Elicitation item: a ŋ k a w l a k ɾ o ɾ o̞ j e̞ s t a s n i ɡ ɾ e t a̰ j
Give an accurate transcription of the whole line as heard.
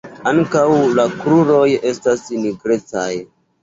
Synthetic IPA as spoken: a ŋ k a w l a k ɾ u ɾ o̞ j e̞ s t a s n i ɡ ɾ e t͡s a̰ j